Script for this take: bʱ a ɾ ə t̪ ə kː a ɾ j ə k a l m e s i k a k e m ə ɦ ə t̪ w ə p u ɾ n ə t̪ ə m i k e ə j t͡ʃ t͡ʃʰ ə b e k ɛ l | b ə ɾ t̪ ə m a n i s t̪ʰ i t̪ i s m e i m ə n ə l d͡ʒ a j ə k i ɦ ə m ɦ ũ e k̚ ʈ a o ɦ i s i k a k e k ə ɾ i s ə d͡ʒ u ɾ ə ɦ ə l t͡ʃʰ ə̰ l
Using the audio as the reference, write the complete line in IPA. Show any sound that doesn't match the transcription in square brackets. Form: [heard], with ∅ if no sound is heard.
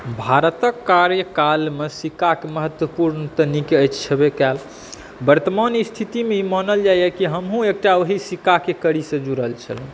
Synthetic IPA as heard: bʱ a ɾ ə t̪ ə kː a ɾ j ə k a l m e s i k a k e m ə ɦ ə t̪ w ə p u ɾ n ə t̪ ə [n] i k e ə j t͡ʃ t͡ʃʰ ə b e k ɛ l | b ə ɾ t̪ ə m a n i s t̪ʰ i t̪ i [∅] m e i m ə n ə l d͡ʒ a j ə k i ɦ ə m ɦ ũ e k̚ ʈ a o ɦ i s i k a k e k ə ɾ i s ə d͡ʒ u ɾ ə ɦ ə l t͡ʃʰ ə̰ l